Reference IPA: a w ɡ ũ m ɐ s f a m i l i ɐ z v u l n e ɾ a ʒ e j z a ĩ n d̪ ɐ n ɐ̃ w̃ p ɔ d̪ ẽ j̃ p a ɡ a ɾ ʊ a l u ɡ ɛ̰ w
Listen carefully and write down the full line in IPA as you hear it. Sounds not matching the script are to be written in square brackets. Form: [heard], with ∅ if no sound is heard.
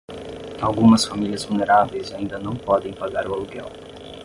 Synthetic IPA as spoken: a w ɡ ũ m ɐ s f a m i l i ɐ z v u l n e ɾ a [v] e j z a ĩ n d̪ ɐ n ɐ̃ w̃ p ɔ d̪ ẽ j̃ p a ɡ a ɾ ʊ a l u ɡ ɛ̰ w